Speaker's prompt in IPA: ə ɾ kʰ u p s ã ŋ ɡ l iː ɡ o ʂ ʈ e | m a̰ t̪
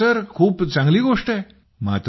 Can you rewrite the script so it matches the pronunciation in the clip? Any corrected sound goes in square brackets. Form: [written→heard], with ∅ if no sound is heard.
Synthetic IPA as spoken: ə ɾ kʰ [u→uː] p [s→t͡s] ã ŋ ɡ l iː ɡ o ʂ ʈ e | m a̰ t̪